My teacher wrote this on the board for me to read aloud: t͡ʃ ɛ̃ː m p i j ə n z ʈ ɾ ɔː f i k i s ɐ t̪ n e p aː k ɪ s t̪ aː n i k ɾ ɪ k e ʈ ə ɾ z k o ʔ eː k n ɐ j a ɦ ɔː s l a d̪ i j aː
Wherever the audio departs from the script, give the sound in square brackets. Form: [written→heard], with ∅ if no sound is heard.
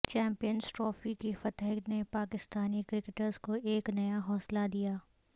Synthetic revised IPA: t͡ʃ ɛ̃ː m p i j ə n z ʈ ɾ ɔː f i k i [s→f] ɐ t̪ n e p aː k ɪ s t̪ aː n i k ɾ ɪ k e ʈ ə ɾ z k o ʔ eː k n ɐ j a ɦ ɔː s l a d̪ i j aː